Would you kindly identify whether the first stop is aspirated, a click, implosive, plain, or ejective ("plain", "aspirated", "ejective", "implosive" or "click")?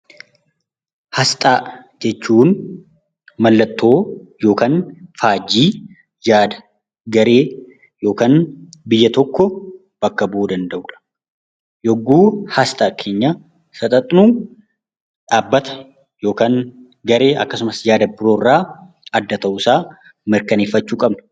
ejective